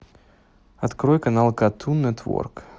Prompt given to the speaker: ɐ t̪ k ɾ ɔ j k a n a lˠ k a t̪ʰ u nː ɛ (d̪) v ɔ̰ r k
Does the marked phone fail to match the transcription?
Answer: yes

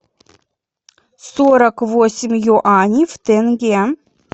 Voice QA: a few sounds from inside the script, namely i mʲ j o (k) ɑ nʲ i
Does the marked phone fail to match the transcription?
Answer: yes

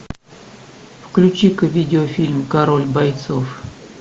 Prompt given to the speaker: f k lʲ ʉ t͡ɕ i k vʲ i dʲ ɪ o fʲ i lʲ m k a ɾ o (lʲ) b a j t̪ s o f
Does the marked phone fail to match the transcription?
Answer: no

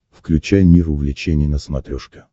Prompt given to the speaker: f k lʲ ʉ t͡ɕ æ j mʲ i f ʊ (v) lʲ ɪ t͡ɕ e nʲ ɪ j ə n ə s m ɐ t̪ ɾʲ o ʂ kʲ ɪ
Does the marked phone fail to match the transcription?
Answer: no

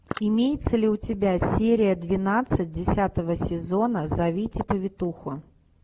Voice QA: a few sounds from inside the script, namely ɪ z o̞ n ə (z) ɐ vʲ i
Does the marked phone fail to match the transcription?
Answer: no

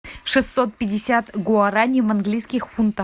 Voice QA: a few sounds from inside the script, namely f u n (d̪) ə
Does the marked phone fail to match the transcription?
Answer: yes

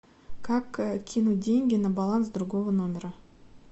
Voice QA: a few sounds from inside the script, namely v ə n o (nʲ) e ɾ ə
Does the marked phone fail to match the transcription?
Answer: yes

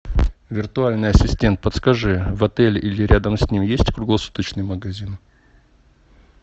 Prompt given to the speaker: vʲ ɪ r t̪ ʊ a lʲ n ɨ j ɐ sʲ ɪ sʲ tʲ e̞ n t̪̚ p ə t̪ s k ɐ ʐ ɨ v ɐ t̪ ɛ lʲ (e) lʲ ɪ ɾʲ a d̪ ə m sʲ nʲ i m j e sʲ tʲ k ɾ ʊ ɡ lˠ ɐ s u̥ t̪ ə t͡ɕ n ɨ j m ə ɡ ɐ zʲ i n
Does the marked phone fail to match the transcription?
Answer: yes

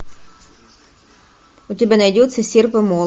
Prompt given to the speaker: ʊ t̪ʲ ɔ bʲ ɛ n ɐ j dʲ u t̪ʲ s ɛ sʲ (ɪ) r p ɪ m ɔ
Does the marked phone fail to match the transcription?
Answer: yes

